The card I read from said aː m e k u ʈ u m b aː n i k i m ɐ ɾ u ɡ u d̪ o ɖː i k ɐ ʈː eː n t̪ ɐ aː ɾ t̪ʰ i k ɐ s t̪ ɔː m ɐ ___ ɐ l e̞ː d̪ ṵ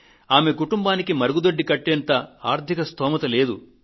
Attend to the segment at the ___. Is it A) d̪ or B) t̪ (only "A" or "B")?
B